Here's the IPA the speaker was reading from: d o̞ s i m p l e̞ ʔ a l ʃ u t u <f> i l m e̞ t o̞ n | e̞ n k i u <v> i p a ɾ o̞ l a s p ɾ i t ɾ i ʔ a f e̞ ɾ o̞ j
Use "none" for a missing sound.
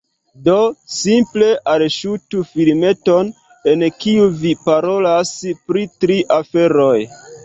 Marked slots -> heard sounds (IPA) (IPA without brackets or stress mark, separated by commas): f, v